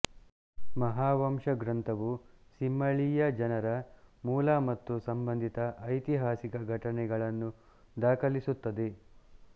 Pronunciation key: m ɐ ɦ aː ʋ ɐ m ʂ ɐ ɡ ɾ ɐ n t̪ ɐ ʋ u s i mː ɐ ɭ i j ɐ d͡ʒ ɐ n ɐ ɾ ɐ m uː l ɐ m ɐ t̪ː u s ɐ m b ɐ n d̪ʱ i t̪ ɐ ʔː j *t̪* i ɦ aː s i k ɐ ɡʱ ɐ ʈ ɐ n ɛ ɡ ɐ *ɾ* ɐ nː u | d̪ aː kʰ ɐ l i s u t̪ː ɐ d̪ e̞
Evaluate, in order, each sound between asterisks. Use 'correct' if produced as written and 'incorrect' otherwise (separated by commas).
correct, incorrect